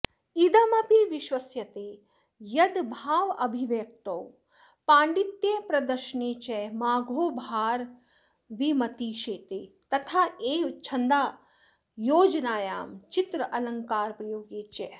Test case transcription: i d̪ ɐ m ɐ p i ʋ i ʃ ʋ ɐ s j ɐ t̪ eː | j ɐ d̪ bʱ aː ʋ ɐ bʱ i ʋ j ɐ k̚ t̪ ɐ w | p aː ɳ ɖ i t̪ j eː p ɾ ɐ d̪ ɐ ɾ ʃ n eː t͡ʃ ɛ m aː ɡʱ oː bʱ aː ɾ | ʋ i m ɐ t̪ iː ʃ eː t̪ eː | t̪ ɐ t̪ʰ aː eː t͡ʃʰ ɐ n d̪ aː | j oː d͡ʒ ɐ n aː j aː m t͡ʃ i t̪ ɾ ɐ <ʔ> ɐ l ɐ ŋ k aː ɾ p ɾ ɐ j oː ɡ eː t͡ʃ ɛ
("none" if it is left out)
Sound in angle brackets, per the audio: ʔ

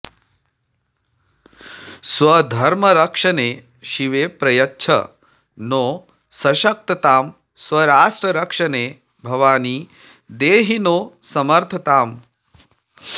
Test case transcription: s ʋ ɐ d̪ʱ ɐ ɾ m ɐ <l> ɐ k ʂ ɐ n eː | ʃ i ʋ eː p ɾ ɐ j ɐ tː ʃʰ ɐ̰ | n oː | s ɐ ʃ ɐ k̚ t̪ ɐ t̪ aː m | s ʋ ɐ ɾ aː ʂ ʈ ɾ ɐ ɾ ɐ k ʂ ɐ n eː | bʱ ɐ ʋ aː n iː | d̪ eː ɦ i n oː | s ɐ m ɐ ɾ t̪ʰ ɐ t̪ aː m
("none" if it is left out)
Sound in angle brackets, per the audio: ɾ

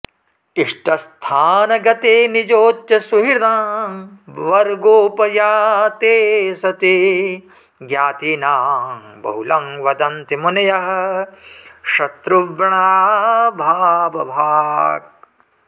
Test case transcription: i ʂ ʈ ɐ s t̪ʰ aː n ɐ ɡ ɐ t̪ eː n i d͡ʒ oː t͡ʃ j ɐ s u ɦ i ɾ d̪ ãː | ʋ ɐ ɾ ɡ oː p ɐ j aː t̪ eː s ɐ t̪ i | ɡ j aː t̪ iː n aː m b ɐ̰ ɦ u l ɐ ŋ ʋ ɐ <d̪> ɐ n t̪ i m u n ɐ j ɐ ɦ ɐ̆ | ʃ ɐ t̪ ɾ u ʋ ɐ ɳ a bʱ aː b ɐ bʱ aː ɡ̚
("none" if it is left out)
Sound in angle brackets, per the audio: d̪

